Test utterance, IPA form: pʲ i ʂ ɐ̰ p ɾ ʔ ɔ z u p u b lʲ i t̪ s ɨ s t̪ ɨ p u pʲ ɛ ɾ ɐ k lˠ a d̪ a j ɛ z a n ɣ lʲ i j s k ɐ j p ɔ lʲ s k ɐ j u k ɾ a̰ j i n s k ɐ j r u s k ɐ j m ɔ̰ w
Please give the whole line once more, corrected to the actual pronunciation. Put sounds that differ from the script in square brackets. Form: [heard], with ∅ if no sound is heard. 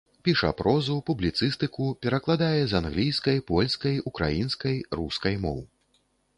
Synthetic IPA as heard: pʲ i ʂ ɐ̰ p ɾ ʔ ɔ z u p u b lʲ i t̪ s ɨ s t̪ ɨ [k] u pʲ ɛ ɾ ɐ k lˠ a d̪ a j ɛ z a n ɣ lʲ i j s k ɐ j p ɔ lʲ s k ɐ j u k ɾ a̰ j i n s k ɐ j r u s k ɐ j m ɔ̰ w